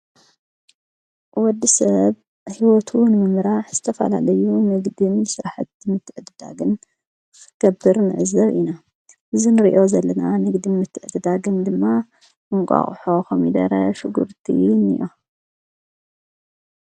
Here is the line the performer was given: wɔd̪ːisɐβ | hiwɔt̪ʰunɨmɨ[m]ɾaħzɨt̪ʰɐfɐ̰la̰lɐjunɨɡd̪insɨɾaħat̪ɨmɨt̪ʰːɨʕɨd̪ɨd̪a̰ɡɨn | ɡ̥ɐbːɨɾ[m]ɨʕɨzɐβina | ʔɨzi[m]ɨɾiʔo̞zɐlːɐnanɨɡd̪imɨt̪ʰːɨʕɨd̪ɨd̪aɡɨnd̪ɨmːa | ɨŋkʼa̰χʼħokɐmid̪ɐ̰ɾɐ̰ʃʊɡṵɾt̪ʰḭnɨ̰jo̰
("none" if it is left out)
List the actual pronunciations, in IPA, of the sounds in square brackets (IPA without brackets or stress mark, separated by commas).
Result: m, n, n